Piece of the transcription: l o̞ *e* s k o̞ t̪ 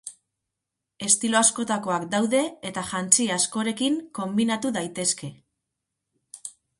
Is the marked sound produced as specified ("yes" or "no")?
no